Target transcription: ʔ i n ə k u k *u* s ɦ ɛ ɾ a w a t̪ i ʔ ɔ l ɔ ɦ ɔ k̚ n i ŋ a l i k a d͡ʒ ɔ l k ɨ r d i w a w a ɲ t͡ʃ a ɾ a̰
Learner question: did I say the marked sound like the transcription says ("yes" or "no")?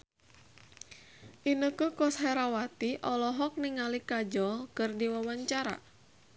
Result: no